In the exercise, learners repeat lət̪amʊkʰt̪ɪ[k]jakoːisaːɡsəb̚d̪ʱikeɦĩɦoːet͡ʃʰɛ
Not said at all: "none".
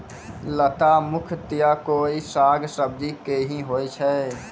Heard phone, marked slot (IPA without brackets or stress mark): none